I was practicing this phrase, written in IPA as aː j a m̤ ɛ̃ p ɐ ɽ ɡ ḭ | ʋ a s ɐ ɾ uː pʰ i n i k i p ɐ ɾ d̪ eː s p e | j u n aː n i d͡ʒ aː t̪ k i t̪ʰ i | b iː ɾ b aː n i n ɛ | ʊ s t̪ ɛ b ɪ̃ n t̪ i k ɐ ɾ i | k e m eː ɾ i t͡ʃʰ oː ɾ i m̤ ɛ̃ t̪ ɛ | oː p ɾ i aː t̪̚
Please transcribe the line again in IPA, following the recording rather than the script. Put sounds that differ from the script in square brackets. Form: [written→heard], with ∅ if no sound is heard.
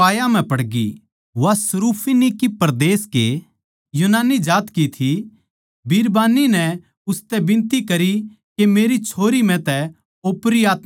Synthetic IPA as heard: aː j a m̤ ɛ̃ p ɐ ɽ ɡ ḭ | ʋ a s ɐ ɾ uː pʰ i n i k i p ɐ ɾ d̪ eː s [p→k] e | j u n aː n i d͡ʒ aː t̪ k i t̪ʰ i | b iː ɾ b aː n i n ɛ | ʊ s t̪ ɛ b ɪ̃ n t̪ i k ɐ ɾ i | k e m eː ɾ i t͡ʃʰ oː ɾ i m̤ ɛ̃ t̪ ɛ | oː p ɾ i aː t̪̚